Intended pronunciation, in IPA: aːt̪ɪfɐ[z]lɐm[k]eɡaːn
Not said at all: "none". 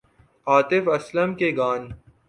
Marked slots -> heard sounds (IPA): s, k

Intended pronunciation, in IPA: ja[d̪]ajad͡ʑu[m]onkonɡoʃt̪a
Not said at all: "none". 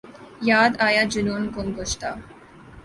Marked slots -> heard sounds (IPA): d̪, n

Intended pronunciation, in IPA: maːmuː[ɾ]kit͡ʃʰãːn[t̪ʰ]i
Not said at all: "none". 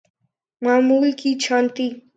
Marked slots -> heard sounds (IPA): l, t̪

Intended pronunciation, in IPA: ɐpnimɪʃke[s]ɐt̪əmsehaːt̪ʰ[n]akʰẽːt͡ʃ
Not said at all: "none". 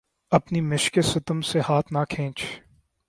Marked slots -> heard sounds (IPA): s, n

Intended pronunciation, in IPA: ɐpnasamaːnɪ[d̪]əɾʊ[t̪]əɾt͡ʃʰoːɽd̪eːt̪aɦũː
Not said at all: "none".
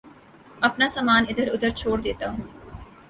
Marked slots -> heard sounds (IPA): d̪, d̪

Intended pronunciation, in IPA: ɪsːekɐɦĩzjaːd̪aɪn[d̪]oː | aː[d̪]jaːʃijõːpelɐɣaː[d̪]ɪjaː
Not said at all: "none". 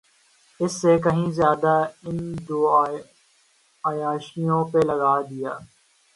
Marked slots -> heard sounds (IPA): d̪, none, d̪

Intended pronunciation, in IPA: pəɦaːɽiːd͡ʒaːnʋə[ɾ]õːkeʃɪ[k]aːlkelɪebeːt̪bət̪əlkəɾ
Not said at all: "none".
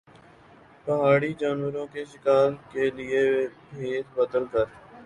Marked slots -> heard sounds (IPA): ɾ, k

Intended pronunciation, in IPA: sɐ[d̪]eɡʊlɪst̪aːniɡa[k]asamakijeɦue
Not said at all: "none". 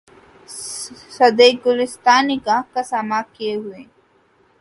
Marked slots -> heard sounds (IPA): d̪, k

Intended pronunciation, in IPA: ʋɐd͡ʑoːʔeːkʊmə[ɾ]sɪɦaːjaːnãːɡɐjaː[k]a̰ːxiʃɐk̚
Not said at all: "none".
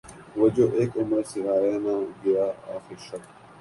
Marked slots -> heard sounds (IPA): ɾ, none

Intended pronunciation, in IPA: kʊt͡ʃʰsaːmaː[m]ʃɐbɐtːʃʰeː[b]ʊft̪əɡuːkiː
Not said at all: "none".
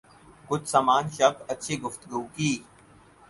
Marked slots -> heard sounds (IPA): n, ɡ

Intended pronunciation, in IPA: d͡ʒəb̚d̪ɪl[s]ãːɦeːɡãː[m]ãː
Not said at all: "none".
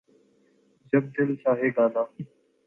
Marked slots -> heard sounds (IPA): s, n

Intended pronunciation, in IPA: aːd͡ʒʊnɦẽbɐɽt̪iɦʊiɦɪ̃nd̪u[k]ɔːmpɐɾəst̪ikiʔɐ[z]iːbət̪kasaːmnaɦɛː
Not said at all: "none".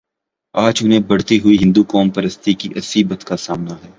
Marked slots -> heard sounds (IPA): k, s

